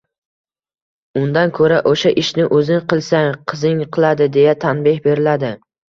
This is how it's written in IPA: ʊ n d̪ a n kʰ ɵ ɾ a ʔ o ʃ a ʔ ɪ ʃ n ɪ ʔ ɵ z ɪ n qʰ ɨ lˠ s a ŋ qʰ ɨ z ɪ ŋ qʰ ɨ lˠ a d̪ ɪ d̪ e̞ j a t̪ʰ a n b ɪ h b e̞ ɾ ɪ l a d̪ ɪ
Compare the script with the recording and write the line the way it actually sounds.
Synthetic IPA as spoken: ʊ n d̪ a n kʰ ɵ ɾ a ʔ o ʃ a ʔ ɪ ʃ n ɪ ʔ ɵ z ɪ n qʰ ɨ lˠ s a ŋ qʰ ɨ z ɪ ŋ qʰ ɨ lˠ a d̪ ɪ d̪ e̞ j a t̪ʰ a n b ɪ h b e̞ ɾ ɪ l a d̪ ɪ